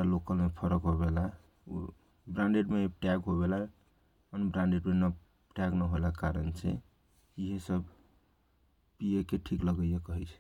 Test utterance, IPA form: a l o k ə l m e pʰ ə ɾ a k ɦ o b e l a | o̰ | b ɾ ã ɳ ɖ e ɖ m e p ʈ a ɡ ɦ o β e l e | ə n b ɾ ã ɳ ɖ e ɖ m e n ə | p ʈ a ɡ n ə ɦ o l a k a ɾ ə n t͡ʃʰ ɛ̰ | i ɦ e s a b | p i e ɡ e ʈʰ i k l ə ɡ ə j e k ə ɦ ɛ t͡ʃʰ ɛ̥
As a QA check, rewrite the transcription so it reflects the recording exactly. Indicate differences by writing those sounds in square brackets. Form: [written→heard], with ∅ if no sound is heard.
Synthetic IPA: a l o k ə l m e pʰ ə ɾ [a→ə] k ɦ o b e l a | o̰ | b ɾ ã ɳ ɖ e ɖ m e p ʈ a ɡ ɦ o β e l [e→a] | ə n b ɾ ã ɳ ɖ e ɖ m e n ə | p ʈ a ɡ n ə ɦ o l a k a ɾ ə n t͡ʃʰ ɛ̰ | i ɦ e s [a→ə] b | p i e [ɡ→k] e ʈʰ i k l ə ɡ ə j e k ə ɦ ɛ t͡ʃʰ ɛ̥